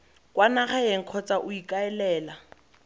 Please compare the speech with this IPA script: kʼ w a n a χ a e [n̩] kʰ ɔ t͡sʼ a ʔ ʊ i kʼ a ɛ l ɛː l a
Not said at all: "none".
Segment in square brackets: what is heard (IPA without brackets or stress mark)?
ŋ̩